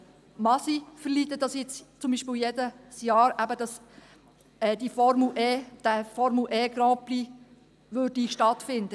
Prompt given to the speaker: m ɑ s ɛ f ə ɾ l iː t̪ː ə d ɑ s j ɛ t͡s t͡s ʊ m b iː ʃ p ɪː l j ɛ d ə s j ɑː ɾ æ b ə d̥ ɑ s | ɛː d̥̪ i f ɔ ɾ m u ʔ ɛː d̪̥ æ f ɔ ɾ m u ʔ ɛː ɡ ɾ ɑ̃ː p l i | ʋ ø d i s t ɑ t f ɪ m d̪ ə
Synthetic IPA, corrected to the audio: m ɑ s i f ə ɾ l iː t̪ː ə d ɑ s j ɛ t͡s t͡s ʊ m b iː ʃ p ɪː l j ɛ d ə s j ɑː ɾ æ b ə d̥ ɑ s | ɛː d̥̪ i f ɔ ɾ m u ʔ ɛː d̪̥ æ f ɔ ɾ m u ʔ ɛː ɡ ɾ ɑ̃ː p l i | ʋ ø d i ʃ t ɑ t f ɪ n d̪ ə